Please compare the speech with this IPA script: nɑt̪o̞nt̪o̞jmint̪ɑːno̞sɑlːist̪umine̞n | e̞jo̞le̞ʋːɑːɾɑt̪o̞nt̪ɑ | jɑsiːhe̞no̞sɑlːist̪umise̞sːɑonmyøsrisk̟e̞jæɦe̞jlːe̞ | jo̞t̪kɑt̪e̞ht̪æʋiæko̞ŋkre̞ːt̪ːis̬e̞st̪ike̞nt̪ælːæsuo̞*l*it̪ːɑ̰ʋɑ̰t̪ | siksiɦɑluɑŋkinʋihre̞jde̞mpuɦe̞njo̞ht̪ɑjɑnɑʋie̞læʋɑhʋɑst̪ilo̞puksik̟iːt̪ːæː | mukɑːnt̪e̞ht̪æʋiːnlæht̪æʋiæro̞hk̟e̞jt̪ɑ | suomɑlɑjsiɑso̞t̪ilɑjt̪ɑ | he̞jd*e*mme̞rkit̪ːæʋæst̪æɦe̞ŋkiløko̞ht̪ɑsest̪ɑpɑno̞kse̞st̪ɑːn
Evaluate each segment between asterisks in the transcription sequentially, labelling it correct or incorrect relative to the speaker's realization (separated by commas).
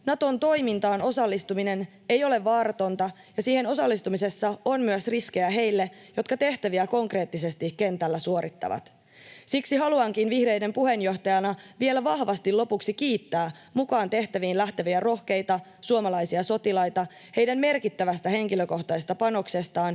incorrect, incorrect